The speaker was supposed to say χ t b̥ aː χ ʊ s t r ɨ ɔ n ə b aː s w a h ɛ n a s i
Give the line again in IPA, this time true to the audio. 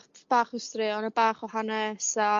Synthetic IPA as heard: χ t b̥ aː χ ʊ s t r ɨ ɔ n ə b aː χ w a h a n ɛ s a